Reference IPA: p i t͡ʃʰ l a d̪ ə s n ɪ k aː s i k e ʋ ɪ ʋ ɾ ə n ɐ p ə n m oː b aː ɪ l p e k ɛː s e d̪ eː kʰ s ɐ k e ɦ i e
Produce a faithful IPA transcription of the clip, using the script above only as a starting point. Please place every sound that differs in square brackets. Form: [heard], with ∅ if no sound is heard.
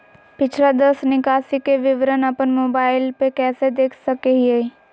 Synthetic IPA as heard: p [ɪ] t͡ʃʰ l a d̪ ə s n ɪ k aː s i k e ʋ ɪ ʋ ɾ ə n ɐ p ə n m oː b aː ɪ l p e k ɛː s e d̪ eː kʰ s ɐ k e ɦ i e